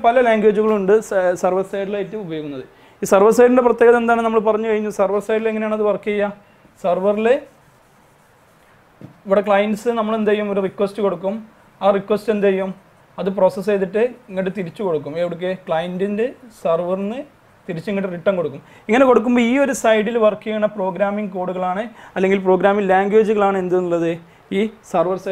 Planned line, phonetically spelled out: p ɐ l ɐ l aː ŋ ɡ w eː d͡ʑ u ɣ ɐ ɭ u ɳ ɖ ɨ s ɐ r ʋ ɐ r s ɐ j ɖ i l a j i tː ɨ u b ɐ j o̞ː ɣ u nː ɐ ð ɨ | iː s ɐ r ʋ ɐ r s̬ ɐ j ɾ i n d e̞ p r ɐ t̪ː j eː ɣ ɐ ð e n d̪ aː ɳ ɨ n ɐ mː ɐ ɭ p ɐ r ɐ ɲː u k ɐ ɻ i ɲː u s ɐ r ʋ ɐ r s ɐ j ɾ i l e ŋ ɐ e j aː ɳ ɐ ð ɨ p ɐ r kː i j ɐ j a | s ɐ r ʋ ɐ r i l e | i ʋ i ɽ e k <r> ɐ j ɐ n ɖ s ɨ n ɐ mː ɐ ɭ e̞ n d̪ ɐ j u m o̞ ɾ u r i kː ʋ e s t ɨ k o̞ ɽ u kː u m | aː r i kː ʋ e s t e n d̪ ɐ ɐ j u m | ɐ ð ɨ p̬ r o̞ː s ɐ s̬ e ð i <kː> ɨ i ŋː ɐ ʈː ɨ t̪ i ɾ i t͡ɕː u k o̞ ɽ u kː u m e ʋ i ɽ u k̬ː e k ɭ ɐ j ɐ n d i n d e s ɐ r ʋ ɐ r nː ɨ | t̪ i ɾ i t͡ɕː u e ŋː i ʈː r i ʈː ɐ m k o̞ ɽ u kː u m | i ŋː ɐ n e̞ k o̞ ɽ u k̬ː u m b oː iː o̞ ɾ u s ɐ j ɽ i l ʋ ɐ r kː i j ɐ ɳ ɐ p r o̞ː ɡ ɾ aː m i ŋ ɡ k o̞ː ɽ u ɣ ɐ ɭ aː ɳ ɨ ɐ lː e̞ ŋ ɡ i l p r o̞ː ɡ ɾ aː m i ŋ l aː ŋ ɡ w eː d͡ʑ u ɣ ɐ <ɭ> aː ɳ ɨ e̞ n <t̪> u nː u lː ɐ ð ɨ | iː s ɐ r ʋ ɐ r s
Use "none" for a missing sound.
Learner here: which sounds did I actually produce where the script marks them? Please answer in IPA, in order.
ɭ, ʈː, ɭ, d̪

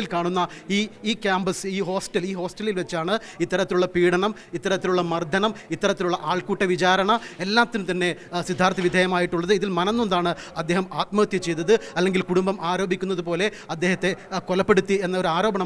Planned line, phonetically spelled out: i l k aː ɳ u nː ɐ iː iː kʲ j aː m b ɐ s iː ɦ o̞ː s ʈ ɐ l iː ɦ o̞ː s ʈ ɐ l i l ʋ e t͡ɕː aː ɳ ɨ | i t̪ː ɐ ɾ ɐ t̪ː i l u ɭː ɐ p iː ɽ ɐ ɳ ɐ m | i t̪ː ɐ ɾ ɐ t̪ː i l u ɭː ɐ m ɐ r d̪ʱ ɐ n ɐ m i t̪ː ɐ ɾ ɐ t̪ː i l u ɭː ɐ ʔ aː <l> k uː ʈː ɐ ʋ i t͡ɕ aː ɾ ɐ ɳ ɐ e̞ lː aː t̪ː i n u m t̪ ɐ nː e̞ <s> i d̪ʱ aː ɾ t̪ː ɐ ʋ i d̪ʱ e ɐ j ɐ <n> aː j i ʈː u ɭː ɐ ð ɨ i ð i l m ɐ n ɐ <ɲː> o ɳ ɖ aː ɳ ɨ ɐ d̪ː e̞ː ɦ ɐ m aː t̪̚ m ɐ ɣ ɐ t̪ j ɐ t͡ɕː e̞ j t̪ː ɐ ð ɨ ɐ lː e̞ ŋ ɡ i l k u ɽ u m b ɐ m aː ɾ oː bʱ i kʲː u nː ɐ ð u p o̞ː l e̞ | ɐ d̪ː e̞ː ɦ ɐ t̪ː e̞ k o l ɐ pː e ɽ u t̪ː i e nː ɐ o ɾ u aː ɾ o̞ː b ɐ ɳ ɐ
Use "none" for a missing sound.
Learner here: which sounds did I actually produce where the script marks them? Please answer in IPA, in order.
ɭ, s, m, nː

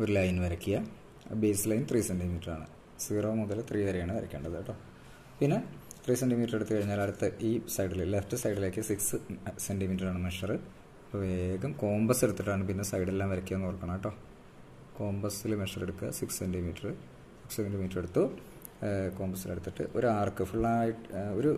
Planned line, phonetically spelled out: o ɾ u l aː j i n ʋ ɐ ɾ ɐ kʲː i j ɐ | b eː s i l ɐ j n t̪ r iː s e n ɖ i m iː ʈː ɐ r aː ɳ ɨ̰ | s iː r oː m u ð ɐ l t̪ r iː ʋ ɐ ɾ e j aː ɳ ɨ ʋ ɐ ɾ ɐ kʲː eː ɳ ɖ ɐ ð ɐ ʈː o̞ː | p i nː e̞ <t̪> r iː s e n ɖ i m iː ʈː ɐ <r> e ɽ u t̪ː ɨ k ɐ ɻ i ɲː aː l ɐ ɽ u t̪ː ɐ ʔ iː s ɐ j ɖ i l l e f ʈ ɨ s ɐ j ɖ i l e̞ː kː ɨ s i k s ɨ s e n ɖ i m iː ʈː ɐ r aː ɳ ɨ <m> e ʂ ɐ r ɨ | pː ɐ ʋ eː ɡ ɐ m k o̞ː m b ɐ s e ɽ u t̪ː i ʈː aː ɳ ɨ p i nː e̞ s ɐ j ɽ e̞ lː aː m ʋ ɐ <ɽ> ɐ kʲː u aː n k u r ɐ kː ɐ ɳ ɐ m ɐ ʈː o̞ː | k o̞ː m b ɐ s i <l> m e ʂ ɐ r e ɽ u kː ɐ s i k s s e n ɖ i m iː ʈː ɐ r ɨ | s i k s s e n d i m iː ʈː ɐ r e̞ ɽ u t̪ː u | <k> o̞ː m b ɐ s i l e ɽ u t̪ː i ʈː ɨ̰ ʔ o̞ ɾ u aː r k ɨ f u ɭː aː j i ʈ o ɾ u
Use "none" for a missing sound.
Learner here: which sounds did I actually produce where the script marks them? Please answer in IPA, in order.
t̪, r, m, ɾ, l, k

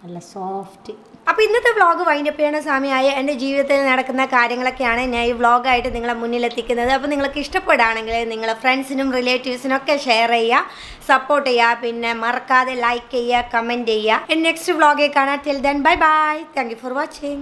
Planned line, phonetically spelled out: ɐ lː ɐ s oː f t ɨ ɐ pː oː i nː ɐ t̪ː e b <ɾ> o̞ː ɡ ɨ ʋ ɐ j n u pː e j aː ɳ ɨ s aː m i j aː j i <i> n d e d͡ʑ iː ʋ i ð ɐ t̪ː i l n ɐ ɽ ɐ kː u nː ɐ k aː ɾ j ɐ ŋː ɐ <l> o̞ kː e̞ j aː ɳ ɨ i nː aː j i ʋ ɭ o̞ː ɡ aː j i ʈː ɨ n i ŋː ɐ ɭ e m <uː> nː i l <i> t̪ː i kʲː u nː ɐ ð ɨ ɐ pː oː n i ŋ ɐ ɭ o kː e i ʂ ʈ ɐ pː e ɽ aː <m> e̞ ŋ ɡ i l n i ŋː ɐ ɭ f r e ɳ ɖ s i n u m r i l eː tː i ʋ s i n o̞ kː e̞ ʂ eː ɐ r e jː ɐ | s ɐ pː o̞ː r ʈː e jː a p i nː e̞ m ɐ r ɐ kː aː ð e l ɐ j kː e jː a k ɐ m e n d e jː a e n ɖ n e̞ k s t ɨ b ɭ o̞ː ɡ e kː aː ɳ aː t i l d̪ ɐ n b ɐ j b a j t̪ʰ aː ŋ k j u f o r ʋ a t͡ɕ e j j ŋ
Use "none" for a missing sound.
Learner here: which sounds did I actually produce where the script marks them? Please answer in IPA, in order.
ɭ, e, ɭ, u, e, ɳ

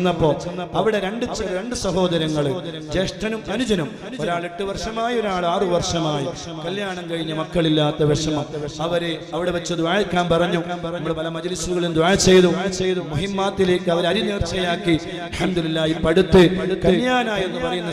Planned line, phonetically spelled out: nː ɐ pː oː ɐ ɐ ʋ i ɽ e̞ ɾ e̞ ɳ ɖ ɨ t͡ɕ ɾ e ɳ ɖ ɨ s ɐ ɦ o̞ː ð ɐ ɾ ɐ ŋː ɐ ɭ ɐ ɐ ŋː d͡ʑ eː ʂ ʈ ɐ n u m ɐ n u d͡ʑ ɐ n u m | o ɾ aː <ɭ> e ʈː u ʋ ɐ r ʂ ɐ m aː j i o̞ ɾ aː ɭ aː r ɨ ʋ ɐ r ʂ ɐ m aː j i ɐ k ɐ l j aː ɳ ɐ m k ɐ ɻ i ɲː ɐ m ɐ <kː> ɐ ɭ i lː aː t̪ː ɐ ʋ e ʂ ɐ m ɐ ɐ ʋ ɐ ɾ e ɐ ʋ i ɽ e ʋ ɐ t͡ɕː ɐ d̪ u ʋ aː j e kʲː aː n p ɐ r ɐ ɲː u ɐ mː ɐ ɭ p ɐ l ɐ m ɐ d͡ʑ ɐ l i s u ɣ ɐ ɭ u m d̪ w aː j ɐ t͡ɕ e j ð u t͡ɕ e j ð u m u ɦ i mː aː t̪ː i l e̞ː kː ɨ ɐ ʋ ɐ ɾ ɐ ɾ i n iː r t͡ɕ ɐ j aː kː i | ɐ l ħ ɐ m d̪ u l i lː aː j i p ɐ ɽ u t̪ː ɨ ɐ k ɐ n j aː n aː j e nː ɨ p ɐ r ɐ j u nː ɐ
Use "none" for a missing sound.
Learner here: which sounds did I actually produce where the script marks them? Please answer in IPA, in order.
ɭ, kː

